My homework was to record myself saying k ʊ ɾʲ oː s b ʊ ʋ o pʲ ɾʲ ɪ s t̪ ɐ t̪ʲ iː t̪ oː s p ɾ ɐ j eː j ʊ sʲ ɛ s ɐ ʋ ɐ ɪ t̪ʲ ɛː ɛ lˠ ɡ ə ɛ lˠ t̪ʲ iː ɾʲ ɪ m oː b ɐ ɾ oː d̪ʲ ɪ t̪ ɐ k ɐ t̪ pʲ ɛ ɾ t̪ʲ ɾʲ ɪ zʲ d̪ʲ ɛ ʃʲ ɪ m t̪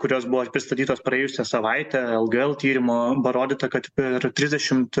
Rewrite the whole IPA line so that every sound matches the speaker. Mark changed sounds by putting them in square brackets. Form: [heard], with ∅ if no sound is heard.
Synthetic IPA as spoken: k ʊ ɾʲ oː s b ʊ ʋ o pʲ ɾʲ ɪ s t̪ ɐ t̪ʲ iː t̪ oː s p ɾ ɐ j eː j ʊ sʲ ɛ s ɐ ʋ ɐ ɪ t̪ʲ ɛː ɛ lˠ ɡ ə ɛ lˠ t̪ʲ iː ɾʲ ɪ m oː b ɐ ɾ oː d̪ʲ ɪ t̪ ɐ k ɐ t̪ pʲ ɛ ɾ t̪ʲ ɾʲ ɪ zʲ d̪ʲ ɛ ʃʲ ɪ m t̪